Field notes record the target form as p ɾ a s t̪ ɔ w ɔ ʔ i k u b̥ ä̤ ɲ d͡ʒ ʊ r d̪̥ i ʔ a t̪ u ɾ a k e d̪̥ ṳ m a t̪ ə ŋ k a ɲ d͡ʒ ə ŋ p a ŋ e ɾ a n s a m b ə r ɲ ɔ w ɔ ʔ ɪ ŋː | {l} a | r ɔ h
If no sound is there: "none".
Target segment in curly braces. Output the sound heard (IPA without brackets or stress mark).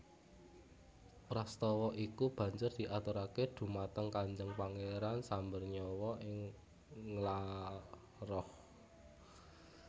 l